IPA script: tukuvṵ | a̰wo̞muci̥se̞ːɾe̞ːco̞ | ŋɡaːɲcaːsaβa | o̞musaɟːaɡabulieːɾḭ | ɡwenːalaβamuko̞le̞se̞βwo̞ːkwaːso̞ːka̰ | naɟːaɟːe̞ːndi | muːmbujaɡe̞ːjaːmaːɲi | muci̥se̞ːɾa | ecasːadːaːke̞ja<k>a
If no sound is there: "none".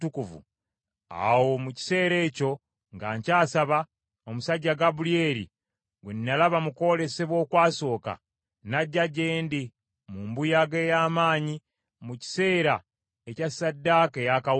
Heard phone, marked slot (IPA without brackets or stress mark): k